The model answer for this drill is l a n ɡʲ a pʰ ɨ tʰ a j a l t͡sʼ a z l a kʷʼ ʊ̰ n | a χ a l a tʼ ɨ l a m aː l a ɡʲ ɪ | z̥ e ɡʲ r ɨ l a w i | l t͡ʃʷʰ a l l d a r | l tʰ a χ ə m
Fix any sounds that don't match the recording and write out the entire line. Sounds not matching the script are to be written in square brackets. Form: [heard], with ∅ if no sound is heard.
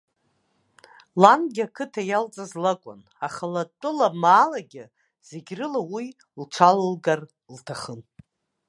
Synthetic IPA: l a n ɡʲ a [kʰ] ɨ tʰ a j a l t͡sʼ a z l a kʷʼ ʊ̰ n | a χ a l a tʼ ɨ l a m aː l a ɡʲ ɪ | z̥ e ɡʲ r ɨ l a w i | l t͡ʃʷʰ a l l [ɡ] a r | l tʰ a χ ə [n]